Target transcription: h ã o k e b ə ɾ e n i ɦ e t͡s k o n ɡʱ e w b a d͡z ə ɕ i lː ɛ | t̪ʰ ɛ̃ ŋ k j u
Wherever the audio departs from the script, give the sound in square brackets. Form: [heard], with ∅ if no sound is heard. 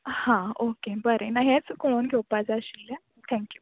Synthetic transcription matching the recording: h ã o k e b ə ɾ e n [a] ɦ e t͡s k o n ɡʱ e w [p] a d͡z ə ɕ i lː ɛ | t̪ʰ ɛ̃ ŋ k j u